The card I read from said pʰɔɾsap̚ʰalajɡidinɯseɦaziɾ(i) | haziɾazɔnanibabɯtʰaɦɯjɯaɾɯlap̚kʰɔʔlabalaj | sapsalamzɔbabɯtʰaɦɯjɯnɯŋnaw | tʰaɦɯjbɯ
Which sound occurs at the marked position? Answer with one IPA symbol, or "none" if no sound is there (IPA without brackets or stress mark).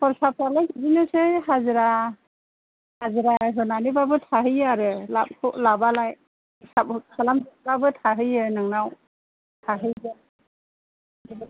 a